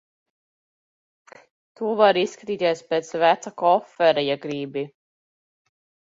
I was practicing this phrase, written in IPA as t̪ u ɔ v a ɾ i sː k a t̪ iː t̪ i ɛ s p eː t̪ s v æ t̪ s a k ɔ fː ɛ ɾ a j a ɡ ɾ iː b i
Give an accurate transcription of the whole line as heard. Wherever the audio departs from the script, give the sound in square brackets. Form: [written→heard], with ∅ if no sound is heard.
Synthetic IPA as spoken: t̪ u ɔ v a ɾ i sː k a t̪ iː t̪ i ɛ s p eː t̪ s v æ t̪ s a k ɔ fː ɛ ɾ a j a ɡ ɾ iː b i